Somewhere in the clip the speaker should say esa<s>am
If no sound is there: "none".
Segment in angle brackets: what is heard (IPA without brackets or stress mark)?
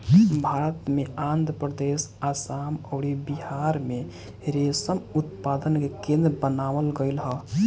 s